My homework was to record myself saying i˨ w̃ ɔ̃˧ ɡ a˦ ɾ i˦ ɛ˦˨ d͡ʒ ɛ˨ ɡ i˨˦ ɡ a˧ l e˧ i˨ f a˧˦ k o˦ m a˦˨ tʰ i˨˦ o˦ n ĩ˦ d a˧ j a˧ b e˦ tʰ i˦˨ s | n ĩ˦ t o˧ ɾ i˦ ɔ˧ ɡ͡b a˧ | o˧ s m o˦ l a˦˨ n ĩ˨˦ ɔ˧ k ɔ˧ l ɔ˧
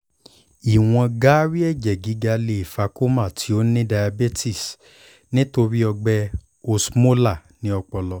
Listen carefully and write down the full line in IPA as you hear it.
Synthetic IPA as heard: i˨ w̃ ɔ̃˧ ɡ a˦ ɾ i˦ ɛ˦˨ d͡ʒ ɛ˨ ɡ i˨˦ ɡ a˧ l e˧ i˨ f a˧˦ k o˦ m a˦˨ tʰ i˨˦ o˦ n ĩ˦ d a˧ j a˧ b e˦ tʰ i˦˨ s | n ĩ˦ t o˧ ɾ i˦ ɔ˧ ɡ͡b ɛ˧ | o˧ s m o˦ l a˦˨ n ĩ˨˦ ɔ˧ k͡p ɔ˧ l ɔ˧